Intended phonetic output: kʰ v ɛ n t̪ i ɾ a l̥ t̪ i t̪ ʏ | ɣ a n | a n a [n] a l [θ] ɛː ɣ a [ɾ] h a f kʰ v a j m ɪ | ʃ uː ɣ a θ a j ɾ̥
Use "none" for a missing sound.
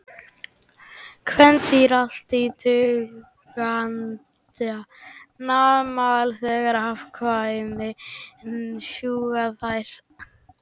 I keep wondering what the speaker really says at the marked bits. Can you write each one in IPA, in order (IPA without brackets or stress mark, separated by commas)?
m, θ, ɾ